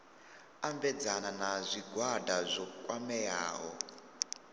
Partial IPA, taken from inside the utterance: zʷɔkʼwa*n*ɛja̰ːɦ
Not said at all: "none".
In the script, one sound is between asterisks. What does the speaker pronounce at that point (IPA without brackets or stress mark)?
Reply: m